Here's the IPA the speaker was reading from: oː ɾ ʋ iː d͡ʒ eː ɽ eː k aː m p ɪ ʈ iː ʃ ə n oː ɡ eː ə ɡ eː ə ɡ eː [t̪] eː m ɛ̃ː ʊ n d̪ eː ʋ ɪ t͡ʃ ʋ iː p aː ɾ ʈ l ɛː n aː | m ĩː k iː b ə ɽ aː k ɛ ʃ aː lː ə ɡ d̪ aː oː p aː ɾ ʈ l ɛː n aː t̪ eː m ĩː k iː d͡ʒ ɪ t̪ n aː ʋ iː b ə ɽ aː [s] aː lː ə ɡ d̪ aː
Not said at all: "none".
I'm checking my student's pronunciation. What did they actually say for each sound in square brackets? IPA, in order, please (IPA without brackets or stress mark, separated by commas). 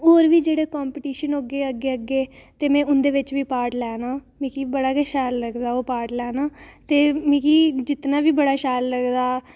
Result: t̪, ʃ